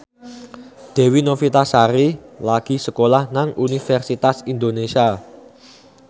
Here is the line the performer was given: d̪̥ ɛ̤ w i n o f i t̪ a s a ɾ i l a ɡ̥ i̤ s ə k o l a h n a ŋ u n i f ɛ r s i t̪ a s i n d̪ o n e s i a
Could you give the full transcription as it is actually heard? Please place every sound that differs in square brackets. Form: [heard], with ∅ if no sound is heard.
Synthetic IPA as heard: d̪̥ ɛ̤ w i n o f i t̪ a s a ɾ i l a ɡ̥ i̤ s ə k o l a h n a ŋ u n i f ɛ r s i t̪ a s i n d̪ o n e s i a